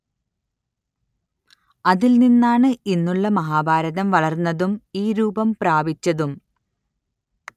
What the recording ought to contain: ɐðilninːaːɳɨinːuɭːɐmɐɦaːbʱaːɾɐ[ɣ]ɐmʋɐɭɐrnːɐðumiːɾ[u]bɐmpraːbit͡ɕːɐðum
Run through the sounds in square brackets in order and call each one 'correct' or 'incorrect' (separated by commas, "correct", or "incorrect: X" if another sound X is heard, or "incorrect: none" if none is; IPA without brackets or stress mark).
incorrect: ð, incorrect: uː